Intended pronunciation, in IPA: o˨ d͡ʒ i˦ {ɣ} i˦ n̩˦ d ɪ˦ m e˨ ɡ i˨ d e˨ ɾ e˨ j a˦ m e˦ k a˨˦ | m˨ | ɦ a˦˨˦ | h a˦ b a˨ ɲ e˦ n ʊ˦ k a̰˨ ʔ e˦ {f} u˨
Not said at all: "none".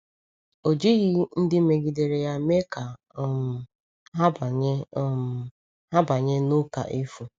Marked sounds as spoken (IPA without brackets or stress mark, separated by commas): ɣ, f